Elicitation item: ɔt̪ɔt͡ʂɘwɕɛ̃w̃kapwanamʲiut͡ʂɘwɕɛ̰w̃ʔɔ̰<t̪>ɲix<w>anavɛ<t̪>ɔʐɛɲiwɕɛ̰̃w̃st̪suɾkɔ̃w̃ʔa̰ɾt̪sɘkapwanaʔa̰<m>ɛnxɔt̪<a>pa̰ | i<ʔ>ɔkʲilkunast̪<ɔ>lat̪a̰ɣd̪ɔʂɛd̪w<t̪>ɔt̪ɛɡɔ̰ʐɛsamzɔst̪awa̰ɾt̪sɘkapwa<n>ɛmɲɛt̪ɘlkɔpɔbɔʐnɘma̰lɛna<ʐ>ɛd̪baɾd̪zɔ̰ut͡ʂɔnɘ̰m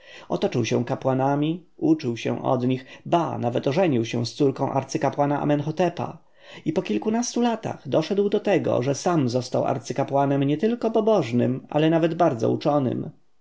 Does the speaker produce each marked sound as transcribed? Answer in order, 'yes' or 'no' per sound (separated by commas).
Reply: no, no, yes, yes, no, no, no, no, yes, no